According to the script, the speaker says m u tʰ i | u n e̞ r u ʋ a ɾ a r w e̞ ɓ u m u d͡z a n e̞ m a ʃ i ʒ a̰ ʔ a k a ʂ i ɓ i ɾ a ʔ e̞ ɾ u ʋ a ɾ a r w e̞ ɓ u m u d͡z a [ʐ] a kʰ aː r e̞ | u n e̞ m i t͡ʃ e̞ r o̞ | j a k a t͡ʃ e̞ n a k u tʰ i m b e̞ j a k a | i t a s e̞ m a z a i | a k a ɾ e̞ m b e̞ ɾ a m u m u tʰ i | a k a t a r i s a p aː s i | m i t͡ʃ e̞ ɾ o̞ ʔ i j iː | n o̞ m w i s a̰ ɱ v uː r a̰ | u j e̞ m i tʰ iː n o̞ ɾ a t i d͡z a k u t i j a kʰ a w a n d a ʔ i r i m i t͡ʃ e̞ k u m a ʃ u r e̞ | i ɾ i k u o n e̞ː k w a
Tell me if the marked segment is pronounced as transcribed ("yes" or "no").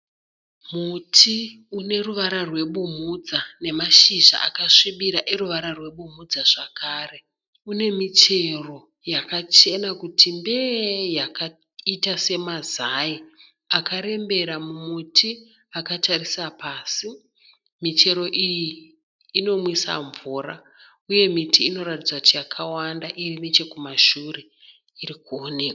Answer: yes